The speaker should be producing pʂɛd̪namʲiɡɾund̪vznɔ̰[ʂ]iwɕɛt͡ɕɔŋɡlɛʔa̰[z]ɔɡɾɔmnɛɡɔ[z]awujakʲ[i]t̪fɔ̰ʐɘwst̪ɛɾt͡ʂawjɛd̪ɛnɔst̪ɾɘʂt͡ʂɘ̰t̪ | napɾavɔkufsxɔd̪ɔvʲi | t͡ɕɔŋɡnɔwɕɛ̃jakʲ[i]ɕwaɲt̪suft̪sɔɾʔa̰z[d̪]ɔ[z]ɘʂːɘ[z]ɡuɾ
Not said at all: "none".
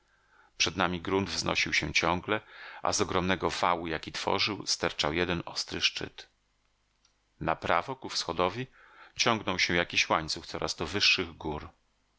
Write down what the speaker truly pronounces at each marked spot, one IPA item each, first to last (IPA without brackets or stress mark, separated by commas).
ɕ, z, v, i, i, d̪, v, ɣ